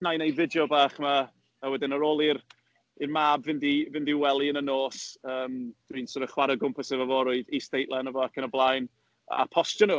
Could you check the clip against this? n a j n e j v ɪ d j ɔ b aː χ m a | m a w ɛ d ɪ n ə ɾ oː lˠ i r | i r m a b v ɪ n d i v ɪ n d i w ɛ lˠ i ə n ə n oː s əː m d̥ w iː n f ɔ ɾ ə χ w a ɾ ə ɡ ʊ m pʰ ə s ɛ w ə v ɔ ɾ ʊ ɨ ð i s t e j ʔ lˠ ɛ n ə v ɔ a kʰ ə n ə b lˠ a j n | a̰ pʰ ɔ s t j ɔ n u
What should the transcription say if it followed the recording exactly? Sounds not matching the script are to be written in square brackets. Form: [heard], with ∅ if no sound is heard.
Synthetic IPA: n a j n e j v ɪ d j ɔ b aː χ m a | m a w ɛ d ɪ n ə ɾ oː lˠ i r | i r m a b v ɪ n d i v ɪ n d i w ɛ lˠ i ə n ə n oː s əː m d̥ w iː n [s] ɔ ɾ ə χ w a ɾ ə ɡ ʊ m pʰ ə s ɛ [v] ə v ɔ ɾ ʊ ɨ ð i s t e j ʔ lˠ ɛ n ə v ɔ a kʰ ə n ə b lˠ a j n | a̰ pʰ ɔ s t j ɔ n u